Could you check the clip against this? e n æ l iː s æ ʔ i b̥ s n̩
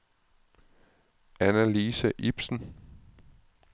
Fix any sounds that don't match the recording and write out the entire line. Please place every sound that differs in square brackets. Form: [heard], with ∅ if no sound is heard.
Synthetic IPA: [æ] n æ l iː s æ ʔ i b̥ s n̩

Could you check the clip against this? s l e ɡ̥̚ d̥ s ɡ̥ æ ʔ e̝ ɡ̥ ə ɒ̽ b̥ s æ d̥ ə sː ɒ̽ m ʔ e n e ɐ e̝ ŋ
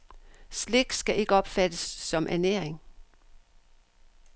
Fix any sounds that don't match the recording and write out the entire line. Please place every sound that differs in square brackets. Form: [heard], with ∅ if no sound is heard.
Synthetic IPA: s l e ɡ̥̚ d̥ s ɡ̥ æ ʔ e̝ ɡ̥ ə ɒ̽ b̥ [f] æ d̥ ə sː ɒ̽ m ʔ [æ] n e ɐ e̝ ŋ

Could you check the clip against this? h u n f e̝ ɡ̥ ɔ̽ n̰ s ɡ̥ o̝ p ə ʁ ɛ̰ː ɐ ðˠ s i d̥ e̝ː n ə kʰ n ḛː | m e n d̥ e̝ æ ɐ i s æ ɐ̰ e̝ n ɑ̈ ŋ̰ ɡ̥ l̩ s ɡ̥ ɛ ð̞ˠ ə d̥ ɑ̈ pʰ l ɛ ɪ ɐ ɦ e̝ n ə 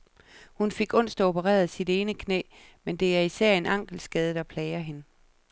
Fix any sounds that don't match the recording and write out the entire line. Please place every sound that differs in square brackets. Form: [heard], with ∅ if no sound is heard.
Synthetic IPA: h u n f e̝ ɡ̥ ɔ̽ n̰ s [d̥] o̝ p ə ʁ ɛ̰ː ɐ ðˠ s i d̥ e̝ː n ə kʰ n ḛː | m e n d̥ e̝ æ ɐ i s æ ɐ̰ e̝ n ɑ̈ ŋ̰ ɡ̥ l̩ s ɡ̥ ɛ ð̞ˠ ə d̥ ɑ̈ pʰ l ɛ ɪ ɐ ɦ e̝ n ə

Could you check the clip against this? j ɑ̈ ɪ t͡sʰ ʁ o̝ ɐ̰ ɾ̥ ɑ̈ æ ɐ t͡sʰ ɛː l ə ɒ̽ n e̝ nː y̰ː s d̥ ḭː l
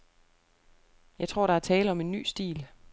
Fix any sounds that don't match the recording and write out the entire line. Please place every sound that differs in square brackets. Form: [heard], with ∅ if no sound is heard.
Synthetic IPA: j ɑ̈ ɪ t͡sʰ ʁ o̝ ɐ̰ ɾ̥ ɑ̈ æ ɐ t͡sʰ ɛː l ə ɒ̽ [m] e̝ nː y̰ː s d̥ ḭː l

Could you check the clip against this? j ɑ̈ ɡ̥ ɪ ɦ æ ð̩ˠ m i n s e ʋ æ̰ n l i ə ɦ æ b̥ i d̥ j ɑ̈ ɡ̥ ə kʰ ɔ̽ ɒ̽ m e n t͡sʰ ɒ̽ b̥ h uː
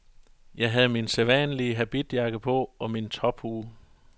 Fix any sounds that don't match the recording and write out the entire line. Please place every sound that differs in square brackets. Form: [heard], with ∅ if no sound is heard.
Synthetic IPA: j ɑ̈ [∅] ɪ ɦ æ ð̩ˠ m i n s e ʋ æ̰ n l i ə ɦ æ b̥ i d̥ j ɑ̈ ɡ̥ ə [pʰ] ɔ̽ ɒ̽ m [i] n t͡sʰ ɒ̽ b̥ h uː

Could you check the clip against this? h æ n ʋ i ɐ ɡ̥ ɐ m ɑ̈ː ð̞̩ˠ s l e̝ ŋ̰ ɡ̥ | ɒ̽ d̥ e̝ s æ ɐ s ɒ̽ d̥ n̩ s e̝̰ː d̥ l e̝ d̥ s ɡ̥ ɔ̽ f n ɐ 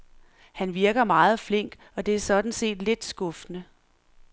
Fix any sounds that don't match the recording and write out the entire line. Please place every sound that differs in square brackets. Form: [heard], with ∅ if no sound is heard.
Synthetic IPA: h æ n ʋ i ɐ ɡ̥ ɐ m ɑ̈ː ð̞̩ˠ [f] l e̝ ŋ̰ ɡ̥ | ɒ̽ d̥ e̝ [∅] æ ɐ s ɒ̽ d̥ n̩ s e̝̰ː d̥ l e̝ d̥ s ɡ̥ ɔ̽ f n [ə]

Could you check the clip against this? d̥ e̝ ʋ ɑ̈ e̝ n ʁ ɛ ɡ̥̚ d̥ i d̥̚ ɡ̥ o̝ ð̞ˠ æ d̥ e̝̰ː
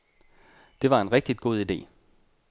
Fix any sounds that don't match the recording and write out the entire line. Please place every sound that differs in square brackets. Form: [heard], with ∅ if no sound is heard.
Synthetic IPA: d̥ e̝ ʋ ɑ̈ e̝ n ʁ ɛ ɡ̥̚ d̥ i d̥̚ ɡ̥ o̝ ð̞ˠ [i] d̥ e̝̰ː

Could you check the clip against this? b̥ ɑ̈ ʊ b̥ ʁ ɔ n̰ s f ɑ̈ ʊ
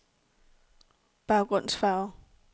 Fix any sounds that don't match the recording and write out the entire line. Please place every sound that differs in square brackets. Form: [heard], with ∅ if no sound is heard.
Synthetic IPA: b̥ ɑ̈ ʊ [ɡ̥] ʁ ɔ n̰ s f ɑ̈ ʊ

